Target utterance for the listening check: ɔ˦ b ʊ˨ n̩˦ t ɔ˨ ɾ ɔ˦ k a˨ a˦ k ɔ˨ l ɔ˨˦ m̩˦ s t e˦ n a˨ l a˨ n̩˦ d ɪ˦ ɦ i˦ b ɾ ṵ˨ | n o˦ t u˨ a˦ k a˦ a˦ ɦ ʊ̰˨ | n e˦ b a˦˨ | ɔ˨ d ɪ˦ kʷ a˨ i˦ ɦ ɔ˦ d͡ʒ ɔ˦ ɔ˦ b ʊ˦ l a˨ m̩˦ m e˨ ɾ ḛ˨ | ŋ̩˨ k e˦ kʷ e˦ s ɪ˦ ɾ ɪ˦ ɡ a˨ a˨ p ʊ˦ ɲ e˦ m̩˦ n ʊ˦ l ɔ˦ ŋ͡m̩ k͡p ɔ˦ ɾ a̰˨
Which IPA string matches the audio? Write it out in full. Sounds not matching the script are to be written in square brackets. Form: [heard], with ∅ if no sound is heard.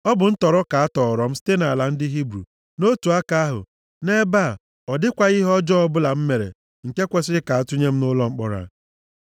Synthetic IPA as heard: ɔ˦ b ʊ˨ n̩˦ t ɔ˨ ɾ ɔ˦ k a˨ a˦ [t] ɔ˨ [ɾ] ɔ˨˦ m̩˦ s t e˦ n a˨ l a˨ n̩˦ d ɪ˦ ɦ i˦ b ɾ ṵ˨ | n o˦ t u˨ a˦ k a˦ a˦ ɦ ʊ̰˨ | n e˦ b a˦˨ | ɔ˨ d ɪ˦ kʷ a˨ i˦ ɦ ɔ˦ d͡ʒ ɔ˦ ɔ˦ b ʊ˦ l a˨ m̩˦ m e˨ ɾ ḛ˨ | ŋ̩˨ k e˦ kʷ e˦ s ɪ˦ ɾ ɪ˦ [k] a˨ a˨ [t] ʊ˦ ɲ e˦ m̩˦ n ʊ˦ l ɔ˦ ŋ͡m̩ k͡p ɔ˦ ɾ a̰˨